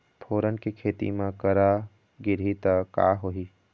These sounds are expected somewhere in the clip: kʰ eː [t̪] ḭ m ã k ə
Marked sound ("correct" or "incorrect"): correct